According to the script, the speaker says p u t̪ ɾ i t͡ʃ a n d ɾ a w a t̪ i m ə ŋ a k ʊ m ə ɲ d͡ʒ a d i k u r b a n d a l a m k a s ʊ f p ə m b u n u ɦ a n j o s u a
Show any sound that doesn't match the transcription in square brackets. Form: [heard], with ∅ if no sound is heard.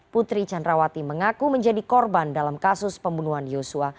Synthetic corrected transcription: p u t̪ ɾ i t͡ʃ a n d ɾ a w a t̪ i m ə ŋ a k [u] m ə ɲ d͡ʒ a d i k [ɔ] r b a n d a l a m k a s ʊ [s] p ə m b u n u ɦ a n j o s u a